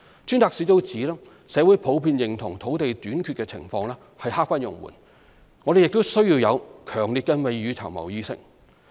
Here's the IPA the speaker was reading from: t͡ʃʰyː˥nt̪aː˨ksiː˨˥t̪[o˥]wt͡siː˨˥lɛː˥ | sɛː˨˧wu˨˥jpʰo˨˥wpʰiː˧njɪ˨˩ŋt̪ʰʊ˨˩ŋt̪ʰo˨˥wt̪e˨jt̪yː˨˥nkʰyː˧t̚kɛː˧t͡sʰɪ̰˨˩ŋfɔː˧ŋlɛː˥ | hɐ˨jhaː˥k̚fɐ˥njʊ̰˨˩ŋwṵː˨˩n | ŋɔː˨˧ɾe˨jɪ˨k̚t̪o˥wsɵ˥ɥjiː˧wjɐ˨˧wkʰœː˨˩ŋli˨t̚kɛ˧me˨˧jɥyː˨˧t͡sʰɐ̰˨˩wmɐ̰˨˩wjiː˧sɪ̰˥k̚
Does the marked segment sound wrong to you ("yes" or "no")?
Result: no